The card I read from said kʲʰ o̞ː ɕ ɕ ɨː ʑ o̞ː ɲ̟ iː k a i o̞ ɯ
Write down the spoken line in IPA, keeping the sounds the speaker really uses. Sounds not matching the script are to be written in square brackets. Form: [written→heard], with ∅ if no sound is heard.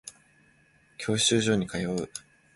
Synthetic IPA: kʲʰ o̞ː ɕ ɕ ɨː ʑ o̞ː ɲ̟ [iː→i] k a [i→j] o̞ ɯ